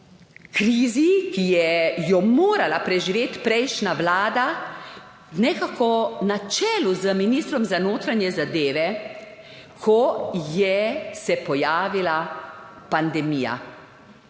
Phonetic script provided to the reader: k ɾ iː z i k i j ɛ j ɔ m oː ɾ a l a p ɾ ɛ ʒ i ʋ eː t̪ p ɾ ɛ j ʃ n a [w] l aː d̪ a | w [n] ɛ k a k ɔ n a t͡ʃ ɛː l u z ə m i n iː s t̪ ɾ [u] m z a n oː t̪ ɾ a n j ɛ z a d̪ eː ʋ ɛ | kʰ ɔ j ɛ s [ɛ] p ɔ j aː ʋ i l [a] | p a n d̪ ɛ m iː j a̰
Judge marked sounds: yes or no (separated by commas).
no, yes, no, yes, yes